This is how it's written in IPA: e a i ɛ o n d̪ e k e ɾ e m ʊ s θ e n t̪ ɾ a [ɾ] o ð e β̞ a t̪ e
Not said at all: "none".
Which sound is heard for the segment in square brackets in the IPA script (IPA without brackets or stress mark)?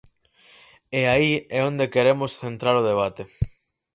ɾ